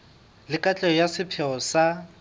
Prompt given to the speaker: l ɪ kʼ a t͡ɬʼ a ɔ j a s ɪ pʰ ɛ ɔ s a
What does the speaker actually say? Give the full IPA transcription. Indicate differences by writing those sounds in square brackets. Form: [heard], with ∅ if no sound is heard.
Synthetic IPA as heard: l ɪ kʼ a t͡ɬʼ [ɛ] ɔ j a s ɪ pʰ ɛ ɔ s a